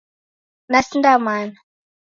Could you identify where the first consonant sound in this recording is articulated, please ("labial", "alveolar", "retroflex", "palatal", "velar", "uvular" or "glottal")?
alveolar